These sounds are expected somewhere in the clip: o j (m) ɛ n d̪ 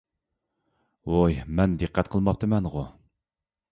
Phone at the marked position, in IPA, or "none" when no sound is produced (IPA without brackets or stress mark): m